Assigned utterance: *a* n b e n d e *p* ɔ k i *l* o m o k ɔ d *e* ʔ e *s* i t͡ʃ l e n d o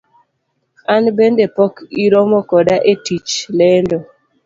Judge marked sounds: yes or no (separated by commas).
yes, yes, no, no, no